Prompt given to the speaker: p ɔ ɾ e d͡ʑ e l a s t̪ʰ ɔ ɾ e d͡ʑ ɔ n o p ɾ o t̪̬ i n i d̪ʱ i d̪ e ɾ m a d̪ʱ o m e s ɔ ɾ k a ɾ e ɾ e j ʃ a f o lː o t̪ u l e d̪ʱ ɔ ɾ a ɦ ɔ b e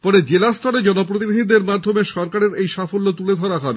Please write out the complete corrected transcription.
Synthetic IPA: p ɔ ɾ e d͡ʑ e l a s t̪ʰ ɔ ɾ e d͡ʑ ɔ n o p ɾ o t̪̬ i n i d̪ʱ i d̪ e ɾ m a d̪ʱ o m e ʃ ɔ ɾ k a ɾ e ɾ e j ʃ a f o lː o t̪ u l e d̪ʱ ɔ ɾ a ɦ ɔ b e